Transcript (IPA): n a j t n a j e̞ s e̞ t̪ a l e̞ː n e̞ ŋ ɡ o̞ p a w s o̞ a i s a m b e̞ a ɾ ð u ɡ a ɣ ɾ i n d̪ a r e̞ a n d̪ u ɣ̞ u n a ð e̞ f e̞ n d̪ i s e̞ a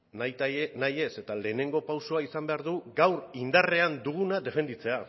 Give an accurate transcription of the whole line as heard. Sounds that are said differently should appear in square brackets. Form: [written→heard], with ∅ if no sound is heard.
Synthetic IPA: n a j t n a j e̞ s e̞ t̪ a l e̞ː n e̞ ŋ ɡ o̞ p a w s o̞ a i s a m b e̞ a ɾ ð u ɡ a [ɣ→w] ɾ i n d̪ a r e̞ a n d̪ u ɣ̞ u n a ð e̞ f e̞ n d̪ i [s→t͡s] e̞ a